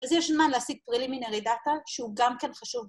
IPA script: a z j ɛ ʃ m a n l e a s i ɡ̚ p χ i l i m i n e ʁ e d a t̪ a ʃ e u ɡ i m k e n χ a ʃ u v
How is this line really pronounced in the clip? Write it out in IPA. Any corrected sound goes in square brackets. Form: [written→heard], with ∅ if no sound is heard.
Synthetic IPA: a z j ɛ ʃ m a n l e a s i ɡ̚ p [χ→ʁ] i l i m i n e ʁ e d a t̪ a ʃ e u ɡ [i→a] m k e n χ a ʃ u v